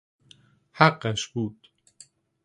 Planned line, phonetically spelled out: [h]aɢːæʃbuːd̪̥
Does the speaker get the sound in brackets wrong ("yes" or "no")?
no